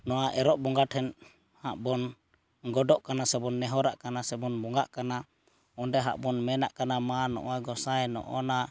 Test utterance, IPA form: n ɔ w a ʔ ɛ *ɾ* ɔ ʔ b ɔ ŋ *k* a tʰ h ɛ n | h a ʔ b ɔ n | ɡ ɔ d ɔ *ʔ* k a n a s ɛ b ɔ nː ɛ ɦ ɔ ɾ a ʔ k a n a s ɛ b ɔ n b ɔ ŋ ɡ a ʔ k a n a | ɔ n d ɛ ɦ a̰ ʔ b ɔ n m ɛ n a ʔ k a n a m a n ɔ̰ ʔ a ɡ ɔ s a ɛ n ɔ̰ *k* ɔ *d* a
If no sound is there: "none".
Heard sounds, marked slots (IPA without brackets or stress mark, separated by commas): ɾ, ɡ, ʔ, ʔ, n